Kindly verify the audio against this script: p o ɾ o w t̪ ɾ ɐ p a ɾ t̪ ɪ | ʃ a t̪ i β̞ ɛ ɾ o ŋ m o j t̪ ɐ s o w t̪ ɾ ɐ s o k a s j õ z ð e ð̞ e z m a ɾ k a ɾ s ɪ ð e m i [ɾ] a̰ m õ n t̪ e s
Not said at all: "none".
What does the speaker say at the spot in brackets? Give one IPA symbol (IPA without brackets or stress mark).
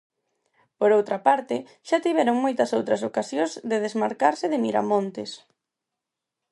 ɾ